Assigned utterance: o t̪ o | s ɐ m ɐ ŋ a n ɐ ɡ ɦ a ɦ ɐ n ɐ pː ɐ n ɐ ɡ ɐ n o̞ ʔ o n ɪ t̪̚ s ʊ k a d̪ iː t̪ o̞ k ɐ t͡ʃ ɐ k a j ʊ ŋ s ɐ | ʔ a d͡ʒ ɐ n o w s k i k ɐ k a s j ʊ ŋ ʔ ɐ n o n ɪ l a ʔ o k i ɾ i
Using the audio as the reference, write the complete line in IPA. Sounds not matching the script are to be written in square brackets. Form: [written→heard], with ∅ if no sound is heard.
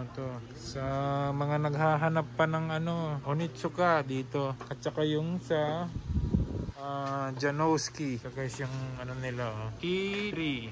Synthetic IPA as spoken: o t̪ o | s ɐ m ɐ ŋ a n ɐ ɡ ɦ a ɦ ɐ n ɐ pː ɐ n ɐ [ɡ→ŋ] ɐ n o̞ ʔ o n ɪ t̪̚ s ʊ k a d̪ iː t̪ o̞ k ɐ t͡ʃ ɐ k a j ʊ ŋ s ɐ | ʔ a d͡ʒ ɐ n o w s k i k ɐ k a s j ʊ ŋ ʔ ɐ n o n ɪ l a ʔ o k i ɾ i